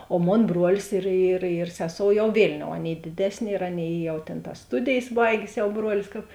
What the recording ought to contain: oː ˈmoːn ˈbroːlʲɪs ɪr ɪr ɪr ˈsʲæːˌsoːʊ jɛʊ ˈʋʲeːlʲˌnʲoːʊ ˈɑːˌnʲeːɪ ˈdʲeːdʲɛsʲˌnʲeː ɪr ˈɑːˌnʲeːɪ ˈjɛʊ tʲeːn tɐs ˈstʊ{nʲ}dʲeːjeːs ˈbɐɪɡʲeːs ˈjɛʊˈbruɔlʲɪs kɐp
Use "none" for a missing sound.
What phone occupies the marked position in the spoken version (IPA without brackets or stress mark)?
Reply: none